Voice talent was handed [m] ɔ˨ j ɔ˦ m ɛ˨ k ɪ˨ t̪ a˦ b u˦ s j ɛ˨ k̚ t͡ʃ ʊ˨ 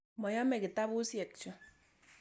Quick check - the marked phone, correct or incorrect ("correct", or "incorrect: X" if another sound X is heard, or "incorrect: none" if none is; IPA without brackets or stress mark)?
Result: correct